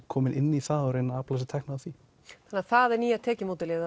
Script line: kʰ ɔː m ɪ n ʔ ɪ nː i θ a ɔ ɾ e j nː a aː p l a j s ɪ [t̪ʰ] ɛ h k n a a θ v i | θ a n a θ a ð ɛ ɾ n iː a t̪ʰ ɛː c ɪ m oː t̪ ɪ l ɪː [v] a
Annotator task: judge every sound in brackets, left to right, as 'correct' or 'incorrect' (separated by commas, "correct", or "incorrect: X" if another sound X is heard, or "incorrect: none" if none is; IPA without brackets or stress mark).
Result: correct, incorrect: ð